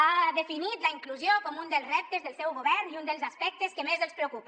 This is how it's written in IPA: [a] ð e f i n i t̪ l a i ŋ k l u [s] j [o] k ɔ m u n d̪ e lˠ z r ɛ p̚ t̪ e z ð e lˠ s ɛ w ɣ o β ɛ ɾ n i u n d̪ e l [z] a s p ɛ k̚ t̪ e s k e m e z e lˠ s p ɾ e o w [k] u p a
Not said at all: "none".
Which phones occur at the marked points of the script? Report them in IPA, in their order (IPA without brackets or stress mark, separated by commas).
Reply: a, z, o, z, k